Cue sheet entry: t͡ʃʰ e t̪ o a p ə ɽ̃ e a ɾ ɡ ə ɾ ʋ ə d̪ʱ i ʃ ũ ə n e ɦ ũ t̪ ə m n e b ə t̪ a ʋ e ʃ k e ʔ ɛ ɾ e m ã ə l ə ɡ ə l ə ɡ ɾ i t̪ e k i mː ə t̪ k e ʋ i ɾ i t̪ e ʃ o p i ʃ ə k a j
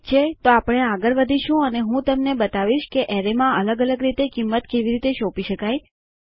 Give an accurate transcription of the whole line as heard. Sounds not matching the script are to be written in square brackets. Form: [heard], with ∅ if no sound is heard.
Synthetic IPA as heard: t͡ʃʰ e t̪ o a p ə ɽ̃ e a [∅] ɡ ə ɾ ʋ ə d̪ʱ i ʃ ũ ə n e ɦ ũ t̪ ə m n e b ə t̪ a ʋ [i] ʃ k e ʔ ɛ ɾ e m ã ə l ə ɡ ə l ə ɡ ɾ i t̪ e k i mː ə t̪ k e ʋ i ɾ i t̪ e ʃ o p i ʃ ə k a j